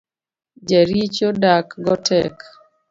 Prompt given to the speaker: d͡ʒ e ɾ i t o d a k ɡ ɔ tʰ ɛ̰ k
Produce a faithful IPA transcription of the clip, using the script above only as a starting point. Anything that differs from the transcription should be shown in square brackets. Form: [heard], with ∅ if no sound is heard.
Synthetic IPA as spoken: d͡ʒ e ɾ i [t͡ʃ] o d a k ɡ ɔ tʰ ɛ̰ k